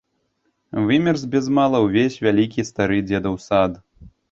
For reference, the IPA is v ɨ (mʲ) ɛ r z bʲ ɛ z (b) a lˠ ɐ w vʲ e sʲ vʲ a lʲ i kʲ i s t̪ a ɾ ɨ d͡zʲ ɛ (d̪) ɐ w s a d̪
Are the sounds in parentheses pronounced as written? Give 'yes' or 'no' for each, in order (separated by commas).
yes, no, yes